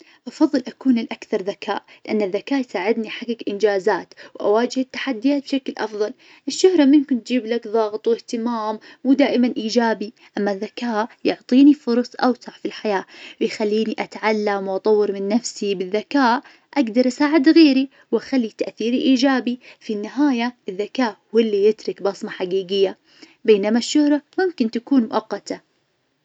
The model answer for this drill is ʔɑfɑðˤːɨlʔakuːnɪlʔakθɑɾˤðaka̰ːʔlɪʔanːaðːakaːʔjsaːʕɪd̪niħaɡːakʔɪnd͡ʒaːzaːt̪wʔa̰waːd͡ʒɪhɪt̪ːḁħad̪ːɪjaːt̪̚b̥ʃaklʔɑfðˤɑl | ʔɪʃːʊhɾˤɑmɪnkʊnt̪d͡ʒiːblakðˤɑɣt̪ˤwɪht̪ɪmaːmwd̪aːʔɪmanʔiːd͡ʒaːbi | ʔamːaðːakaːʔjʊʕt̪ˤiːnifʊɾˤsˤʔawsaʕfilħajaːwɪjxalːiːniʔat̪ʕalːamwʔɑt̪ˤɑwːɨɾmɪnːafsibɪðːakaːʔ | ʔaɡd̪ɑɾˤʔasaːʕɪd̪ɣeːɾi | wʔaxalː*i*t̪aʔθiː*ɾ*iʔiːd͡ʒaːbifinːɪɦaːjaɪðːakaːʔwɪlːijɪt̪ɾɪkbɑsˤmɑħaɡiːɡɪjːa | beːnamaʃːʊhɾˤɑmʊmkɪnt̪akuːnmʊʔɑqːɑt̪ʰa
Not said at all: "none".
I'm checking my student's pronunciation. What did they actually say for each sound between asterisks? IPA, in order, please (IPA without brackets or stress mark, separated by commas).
i, ɾ